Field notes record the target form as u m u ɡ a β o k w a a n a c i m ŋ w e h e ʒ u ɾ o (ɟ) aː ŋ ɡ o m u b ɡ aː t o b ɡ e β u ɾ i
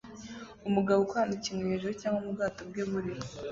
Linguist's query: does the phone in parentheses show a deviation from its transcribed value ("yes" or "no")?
yes